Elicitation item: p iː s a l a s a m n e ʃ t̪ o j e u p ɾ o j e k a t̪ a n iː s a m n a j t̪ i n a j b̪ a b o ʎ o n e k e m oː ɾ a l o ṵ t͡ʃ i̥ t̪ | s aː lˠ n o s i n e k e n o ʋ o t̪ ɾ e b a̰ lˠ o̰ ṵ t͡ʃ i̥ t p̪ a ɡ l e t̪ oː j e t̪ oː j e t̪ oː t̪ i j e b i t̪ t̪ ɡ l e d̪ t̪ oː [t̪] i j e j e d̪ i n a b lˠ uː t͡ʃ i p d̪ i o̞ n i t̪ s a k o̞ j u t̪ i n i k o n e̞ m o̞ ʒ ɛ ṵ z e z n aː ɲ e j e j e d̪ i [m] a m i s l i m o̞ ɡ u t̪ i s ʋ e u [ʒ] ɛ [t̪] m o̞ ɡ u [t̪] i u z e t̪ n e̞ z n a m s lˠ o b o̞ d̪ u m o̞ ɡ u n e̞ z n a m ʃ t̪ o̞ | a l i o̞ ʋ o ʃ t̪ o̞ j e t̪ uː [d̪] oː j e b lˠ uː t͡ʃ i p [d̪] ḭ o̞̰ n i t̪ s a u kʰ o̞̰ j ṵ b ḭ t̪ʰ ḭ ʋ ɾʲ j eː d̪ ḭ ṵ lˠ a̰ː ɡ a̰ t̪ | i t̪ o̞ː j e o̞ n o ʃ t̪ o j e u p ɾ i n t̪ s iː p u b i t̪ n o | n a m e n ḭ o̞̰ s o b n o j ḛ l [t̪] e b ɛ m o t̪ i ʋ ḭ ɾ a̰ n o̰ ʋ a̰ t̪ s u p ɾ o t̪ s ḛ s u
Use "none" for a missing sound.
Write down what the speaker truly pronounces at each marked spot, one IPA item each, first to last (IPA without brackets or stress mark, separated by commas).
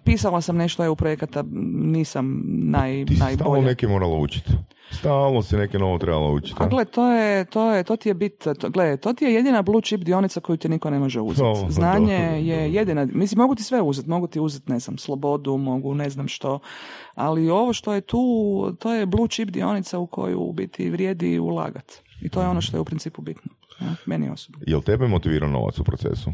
t̪, n, z, t̪, t̪, t̪, d̪, t̪